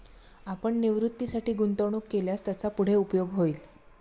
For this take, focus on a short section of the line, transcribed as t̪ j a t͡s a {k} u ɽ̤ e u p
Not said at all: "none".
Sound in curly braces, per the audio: p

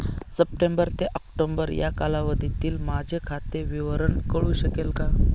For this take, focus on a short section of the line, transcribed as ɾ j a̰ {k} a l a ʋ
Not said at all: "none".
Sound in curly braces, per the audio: k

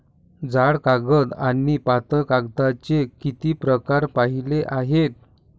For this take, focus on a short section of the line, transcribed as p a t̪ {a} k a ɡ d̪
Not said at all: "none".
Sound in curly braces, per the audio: ə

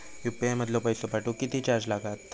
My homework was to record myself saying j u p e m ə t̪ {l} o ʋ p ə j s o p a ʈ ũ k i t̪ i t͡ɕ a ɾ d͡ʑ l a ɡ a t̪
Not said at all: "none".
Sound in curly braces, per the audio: l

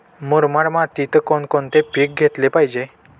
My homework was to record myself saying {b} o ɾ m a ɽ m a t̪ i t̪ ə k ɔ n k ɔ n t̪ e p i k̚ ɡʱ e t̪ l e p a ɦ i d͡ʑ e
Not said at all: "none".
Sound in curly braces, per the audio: m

